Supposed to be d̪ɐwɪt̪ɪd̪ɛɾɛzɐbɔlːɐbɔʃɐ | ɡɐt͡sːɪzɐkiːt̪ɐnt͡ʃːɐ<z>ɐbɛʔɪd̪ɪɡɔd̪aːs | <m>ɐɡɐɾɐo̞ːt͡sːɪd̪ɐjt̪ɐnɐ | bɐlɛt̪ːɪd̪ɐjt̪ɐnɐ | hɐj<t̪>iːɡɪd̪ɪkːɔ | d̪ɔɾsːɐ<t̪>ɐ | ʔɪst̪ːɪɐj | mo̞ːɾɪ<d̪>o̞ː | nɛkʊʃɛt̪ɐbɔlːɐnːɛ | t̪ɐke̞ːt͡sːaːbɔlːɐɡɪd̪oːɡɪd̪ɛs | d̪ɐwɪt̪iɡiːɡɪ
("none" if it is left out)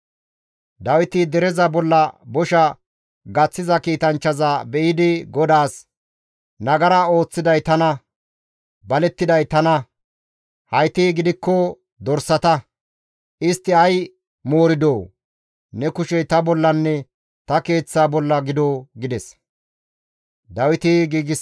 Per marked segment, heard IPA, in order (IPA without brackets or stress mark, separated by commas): z, n, t̪, t̪, d̪